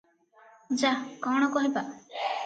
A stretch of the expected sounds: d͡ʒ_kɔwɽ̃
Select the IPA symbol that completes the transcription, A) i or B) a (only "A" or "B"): B